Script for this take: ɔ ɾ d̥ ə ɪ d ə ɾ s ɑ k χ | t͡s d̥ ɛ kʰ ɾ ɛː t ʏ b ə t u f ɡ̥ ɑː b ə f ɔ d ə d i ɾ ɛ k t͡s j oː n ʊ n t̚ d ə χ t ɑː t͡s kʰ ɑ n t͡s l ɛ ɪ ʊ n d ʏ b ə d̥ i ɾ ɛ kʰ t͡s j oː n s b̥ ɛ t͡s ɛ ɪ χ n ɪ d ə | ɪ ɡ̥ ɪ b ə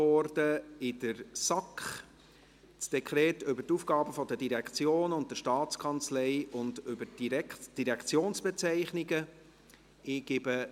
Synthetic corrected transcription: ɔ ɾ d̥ ə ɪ d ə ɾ s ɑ k χ | t͡s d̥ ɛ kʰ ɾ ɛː t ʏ b ə t u f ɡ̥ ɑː b ə f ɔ d ə d i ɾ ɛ k t͡s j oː n ʊ n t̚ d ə ʃ t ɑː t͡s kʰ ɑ n t͡s l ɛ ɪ ʊ n d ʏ b ə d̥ i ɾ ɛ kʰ t͡s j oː n s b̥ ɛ t͡s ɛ ɪ χ n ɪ ɡ ə | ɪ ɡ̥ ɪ b ə

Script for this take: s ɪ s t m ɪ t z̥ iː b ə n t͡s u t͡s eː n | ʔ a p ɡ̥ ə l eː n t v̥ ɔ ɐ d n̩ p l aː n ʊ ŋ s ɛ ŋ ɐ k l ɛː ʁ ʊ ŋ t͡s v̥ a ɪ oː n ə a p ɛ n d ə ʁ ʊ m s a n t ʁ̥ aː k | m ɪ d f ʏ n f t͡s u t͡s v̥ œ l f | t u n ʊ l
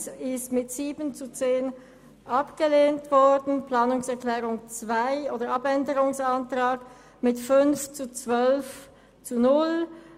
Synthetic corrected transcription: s ɪ s t m ɪ t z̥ iː b ə n t͡s u t͡s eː n | ʔ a p ɡ̥ ə l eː n t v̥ ɔ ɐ d n̩ p l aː n ʊ ŋ s ɛ ɐ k l ɛː ʁ ʊ ŋ t͡s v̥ a ɪ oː d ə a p ɛ n d ə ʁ ʊ ŋ s a n t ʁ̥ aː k | m ɪ t f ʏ n f t͡s u t͡s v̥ œ l f | t͡s u n ʊ l

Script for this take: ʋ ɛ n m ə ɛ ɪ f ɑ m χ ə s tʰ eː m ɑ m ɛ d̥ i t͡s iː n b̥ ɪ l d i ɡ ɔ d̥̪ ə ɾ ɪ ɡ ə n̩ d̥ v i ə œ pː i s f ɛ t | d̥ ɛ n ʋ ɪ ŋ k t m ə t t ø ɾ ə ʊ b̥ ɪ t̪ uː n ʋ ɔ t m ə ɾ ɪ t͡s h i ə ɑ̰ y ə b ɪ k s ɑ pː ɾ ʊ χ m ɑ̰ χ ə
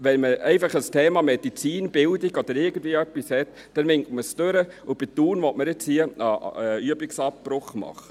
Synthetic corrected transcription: ʋ ɛ n m ə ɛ ɪ f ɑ χ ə s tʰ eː m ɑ m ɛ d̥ i t͡s iː n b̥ ɪ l d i ɡ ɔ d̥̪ ə ɾ ɪ ɡ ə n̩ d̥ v i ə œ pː i s h ɛ t | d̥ ɛ n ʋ ɪ ŋ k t m ə s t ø ɾ ə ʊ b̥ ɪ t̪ uː n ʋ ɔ t m ə ɾ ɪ t͡s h i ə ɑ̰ y ə b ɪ k s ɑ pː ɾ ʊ χ m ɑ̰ χ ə

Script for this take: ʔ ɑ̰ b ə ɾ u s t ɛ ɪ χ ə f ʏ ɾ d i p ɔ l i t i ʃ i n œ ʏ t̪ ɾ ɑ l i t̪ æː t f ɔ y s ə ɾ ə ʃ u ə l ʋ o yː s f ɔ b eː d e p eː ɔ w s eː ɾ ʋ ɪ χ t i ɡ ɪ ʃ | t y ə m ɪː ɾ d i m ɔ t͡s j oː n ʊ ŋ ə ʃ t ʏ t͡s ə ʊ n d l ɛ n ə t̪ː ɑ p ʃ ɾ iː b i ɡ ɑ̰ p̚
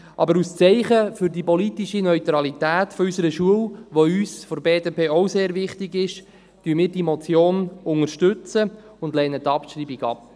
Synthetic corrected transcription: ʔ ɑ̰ b ə ɾ u s t͡s ɛ ɪ χ ə f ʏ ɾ d i p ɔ l i t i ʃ i n œ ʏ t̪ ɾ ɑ l i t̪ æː t f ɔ y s ə ɾ ə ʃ u ə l ʋ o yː s f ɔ b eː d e p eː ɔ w s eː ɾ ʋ ɪ χ t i ɡ ɪ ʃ | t y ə m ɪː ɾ d i m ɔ t͡s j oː n ʊ ŋ ə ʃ t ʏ t͡s ə ʊ n d l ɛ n ə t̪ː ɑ p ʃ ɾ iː b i ɡ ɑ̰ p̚

